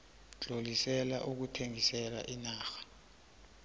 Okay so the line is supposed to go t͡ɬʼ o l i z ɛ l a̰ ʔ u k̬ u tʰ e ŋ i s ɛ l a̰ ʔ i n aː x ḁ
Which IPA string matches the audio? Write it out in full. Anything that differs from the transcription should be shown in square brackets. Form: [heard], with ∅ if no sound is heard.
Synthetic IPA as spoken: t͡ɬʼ o l i [s] ɛ l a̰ ʔ u k̬ u tʰ e ŋ i s ɛ l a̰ ʔ i n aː x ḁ